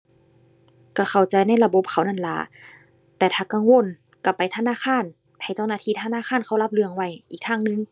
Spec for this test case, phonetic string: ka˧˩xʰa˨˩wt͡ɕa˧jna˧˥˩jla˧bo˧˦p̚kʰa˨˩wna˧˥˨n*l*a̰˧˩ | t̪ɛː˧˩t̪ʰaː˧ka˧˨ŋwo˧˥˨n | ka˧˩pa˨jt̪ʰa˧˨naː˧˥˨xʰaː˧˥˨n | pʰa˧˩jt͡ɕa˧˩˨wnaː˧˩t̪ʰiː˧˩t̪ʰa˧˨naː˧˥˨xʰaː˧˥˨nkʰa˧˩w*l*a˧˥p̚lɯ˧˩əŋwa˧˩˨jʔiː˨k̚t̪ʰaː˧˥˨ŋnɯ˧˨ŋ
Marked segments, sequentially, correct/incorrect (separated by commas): correct, correct